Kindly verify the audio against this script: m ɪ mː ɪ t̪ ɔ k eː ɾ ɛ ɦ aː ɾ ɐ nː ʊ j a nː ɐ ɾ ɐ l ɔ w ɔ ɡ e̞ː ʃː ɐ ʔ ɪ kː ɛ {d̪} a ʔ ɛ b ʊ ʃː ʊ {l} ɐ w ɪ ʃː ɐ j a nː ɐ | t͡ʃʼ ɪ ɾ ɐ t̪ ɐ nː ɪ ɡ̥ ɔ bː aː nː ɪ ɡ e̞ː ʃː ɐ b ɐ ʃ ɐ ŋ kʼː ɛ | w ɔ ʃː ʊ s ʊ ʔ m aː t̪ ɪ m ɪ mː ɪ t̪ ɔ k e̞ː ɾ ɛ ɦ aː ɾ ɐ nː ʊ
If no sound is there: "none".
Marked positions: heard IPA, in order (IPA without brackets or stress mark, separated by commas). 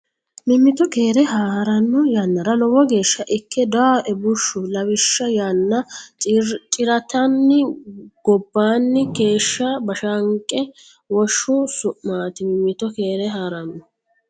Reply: d̪, l